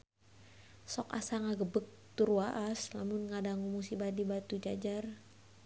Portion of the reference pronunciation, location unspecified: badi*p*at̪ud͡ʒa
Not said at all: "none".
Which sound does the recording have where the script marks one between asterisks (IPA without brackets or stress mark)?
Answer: b